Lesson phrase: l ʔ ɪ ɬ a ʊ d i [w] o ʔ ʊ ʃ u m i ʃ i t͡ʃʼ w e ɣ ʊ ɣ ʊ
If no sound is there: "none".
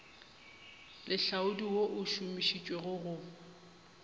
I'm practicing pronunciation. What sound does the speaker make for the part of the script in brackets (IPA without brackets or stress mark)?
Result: w